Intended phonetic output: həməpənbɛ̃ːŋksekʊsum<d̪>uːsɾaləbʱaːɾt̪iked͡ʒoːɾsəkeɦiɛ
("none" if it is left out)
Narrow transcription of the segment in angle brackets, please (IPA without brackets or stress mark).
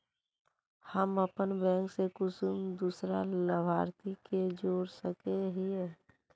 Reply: d̪